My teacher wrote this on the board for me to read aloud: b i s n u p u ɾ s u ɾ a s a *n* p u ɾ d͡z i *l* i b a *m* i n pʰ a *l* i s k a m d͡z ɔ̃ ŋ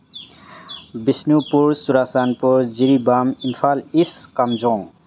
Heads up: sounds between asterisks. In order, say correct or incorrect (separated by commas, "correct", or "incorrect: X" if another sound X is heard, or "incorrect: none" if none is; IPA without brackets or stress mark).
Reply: correct, incorrect: ɾ, correct, correct